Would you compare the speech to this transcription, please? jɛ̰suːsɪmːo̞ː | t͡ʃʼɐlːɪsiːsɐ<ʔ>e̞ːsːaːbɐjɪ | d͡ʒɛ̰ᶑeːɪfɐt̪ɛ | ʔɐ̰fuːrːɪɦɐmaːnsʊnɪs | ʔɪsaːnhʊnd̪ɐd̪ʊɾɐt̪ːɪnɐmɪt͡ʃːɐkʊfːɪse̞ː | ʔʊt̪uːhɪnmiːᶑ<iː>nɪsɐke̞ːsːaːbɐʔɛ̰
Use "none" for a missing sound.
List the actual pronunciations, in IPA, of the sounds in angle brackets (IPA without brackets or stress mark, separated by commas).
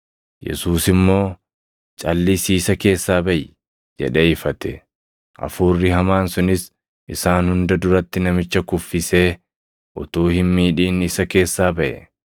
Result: k, iː